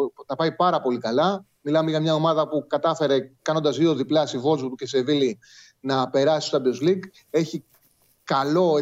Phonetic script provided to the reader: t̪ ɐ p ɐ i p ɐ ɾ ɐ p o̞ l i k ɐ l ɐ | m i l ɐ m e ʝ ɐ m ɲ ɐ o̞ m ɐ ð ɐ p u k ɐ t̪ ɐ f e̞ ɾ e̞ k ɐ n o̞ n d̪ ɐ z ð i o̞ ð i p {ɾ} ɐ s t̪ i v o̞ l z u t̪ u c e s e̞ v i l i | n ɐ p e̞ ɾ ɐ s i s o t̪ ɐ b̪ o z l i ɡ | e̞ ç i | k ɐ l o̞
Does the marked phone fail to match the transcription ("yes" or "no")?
yes